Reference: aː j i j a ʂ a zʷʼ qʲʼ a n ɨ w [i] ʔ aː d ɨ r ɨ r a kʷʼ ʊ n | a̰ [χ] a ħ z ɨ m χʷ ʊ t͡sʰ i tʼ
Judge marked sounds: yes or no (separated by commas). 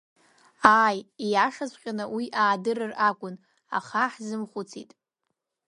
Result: yes, yes